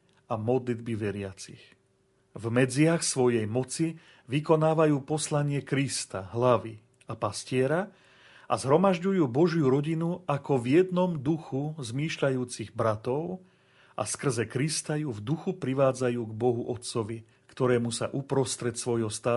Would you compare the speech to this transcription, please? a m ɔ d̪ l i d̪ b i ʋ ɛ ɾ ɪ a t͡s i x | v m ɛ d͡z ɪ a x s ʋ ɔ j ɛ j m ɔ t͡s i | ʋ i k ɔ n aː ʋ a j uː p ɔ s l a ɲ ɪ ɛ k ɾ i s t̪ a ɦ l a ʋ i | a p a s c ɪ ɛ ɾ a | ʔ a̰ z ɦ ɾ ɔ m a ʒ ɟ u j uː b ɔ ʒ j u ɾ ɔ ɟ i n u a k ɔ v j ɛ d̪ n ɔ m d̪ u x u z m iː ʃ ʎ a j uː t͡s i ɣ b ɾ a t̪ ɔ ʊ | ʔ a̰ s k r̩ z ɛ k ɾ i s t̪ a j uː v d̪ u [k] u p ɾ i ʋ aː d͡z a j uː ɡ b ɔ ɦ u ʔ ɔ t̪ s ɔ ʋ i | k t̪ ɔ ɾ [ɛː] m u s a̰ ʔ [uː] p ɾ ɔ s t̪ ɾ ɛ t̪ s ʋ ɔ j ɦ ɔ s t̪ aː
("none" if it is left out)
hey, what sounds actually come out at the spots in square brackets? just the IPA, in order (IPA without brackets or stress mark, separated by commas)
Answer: x, ɛː, u